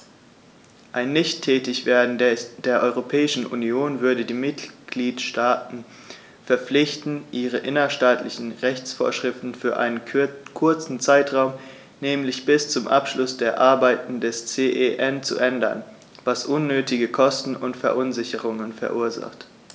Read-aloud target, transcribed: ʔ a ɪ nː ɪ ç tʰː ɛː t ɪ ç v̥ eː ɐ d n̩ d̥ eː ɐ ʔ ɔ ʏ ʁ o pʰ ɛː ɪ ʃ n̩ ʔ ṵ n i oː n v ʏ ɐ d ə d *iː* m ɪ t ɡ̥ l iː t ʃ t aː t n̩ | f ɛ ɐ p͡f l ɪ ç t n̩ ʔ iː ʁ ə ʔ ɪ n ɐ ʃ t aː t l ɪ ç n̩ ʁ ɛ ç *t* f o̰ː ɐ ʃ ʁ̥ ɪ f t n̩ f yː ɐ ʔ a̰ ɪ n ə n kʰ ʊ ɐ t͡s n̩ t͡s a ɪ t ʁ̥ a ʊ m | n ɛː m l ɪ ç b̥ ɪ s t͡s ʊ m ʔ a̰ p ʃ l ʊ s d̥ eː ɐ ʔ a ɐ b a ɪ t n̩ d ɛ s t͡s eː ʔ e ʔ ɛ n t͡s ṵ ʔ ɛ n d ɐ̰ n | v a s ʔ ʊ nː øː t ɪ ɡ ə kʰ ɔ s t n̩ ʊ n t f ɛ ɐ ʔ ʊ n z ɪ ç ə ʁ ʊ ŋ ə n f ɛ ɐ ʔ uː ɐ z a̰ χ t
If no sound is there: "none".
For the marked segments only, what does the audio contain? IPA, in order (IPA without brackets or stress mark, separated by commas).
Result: iː, t͡s